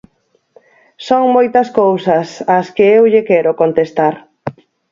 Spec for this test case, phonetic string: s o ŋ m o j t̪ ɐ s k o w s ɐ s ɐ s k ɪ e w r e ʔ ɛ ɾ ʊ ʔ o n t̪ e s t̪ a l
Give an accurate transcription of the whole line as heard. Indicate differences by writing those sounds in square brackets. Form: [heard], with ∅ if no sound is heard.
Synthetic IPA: s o ŋ m o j t̪ ɐ s k o w s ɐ s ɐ s k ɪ e w [ʎ] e [k] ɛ ɾ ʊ [k] o n t̪ e s t̪ a [ɾ]

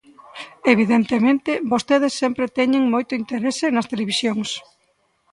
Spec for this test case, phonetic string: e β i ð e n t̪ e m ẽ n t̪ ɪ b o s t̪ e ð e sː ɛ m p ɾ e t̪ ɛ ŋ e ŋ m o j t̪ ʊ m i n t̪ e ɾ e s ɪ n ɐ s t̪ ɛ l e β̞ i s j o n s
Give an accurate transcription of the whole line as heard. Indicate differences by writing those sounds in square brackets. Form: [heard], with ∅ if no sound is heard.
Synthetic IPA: e β i ð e n t̪ e m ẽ n t̪ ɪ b o s t̪ e ð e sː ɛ m p ɾ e t̪ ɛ [ɲ] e ŋ m o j t̪ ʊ [∅] i n t̪ e ɾ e s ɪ n ɐ s t̪ [e] l e β̞ i s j o [ŋ] s

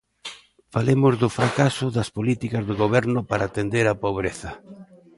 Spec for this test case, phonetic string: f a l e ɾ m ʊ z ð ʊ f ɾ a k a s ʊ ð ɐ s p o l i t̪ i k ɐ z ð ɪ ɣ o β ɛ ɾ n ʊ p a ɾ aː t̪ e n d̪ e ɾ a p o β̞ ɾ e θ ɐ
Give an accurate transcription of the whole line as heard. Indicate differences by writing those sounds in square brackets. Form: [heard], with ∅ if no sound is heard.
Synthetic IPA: f a l e [∅] m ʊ z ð ʊ f ɾ a k a s ʊ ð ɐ s p o l i t̪ i k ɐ z ð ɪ ɣ o β ɛ ɾ n ʊ p a ɾ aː t̪ e n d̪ e ɾ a p o β̞ ɾ e θ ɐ

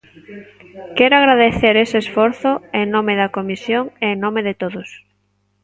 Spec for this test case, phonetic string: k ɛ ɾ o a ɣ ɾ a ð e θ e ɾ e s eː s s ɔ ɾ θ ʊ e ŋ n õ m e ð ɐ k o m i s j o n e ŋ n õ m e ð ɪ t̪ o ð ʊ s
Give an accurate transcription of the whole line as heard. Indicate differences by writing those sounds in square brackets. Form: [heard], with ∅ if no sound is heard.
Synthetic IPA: k ɛ ɾ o a ɣ ɾ a ð e θ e ɾ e s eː s [f] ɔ ɾ θ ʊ e ŋ n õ m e ð ɐ k o m i s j o [ŋ] e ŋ n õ m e ð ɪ t̪ o ð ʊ s

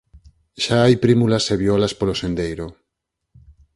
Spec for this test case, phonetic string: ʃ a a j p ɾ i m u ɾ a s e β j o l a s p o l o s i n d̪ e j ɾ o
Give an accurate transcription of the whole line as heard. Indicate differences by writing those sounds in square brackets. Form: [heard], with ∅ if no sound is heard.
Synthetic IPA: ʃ a a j p ɾ i m u [l] a s e β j o l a s p o l o s [e] n d̪ e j ɾ o

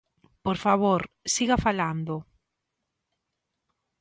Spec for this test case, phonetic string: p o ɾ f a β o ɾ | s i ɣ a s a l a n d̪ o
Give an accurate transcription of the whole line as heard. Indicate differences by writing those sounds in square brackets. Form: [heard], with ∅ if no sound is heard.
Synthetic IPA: p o ɾ f a β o ɾ | s i ɣ a [f] a l a n d̪ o

